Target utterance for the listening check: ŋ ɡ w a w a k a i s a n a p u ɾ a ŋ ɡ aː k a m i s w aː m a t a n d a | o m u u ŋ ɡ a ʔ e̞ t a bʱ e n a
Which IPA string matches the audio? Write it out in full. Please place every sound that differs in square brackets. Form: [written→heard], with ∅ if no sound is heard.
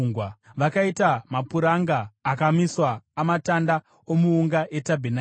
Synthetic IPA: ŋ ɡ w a [w→ʋ] a k a i [s→t] a [n→m] a p u ɾ a ŋ ɡ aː k a m i s w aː m a t a n d a | o m u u ŋ ɡ a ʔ e̞ t a bʱ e n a